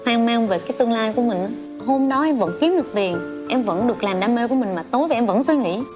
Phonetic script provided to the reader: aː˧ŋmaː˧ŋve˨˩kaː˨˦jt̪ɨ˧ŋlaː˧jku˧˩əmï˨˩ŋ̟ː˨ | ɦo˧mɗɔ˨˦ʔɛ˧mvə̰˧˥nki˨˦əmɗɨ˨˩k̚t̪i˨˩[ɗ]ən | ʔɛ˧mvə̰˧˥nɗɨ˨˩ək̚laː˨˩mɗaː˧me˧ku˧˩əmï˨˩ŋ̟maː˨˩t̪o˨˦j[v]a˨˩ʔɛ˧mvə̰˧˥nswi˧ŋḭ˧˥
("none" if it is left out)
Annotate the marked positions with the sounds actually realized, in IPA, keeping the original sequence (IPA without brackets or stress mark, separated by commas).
none, v